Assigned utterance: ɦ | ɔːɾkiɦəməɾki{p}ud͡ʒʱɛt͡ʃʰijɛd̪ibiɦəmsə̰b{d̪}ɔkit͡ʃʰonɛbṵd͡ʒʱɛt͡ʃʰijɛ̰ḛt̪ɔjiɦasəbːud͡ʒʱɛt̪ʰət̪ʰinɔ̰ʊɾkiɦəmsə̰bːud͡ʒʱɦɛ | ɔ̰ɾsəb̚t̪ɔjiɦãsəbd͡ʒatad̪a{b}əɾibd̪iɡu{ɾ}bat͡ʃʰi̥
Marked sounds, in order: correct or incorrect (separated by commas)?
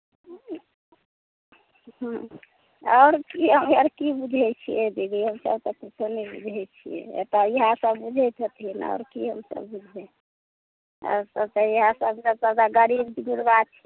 incorrect, incorrect, incorrect, correct